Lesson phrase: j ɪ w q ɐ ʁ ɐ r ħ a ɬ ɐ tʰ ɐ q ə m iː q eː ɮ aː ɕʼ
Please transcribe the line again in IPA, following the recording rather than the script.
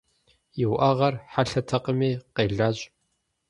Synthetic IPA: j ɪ w ʔ ɐ ʁ ɐ r ħ a ɬ ɐ tʰ ɐ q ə m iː q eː ɮ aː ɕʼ